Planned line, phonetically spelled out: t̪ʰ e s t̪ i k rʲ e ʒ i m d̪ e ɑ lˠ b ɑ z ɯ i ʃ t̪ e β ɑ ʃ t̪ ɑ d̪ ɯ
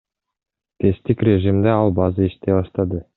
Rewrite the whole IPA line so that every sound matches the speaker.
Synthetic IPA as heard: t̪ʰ e s t̪ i k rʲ e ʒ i m d̪ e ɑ lˠ b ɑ z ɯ i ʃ t̪ e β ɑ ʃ t̪ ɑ d̪ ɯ